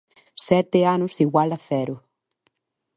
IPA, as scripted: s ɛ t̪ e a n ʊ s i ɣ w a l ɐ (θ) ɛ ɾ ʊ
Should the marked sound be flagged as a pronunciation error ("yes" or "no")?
no